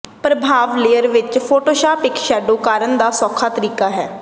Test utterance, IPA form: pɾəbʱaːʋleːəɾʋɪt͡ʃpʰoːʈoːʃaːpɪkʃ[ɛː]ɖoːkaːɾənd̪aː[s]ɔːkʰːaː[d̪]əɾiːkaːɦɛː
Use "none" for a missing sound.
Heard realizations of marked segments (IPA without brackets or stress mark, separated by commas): ɛː, s, t̪